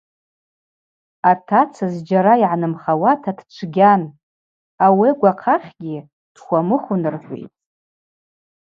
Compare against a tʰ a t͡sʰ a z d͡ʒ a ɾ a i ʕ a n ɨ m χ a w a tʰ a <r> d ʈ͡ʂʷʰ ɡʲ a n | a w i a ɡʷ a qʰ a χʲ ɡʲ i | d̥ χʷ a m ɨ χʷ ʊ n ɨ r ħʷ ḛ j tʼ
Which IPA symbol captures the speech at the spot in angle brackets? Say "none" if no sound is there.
none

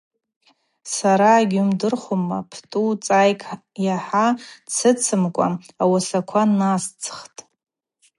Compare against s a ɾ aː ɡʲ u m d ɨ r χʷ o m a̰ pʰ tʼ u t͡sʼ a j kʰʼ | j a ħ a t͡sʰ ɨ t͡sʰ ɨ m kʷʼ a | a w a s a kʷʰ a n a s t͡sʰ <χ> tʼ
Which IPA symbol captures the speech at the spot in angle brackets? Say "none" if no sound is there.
χ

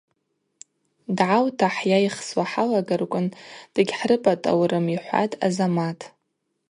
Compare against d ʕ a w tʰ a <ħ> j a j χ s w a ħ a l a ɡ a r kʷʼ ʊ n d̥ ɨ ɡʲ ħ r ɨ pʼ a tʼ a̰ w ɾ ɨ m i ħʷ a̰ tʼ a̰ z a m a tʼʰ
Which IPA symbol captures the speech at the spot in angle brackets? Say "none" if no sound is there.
ħ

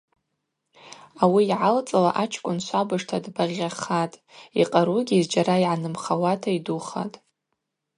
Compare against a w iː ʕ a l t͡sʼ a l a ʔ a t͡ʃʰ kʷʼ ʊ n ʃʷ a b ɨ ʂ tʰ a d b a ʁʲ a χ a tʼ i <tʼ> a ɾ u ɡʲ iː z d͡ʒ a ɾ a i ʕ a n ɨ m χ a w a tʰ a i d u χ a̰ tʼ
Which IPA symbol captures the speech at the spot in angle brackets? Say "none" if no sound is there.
qʼ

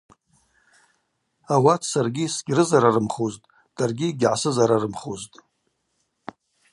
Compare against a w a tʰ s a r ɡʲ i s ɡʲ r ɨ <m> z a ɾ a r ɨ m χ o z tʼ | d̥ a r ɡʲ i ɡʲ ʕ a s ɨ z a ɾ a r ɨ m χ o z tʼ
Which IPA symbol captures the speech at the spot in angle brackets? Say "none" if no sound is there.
none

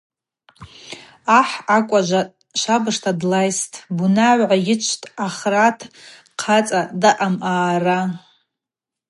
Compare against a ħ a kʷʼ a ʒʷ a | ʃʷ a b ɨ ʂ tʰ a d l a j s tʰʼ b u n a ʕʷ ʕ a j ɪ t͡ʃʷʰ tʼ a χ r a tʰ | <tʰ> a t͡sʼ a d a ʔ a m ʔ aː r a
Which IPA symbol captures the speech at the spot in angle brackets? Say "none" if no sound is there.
qʰ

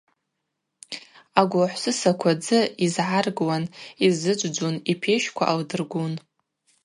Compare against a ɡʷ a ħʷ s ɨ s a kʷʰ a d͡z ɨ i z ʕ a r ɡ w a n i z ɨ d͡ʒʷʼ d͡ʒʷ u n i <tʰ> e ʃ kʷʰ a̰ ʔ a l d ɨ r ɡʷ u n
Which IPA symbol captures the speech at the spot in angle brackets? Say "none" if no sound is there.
pʰ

